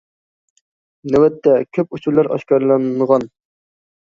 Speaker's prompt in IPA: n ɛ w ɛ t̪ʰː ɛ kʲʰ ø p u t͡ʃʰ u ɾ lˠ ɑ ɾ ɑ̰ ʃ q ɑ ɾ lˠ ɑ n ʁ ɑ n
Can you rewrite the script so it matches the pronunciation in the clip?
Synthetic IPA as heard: n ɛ w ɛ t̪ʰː ɛ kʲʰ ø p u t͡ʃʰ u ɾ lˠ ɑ ɾ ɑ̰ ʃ k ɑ ɾ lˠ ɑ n ʁ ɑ n